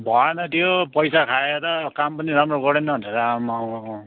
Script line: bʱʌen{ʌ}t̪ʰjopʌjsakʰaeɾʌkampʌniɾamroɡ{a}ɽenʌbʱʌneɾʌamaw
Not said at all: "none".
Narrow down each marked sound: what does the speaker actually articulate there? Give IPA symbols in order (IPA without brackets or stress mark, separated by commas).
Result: ʌ, ʌ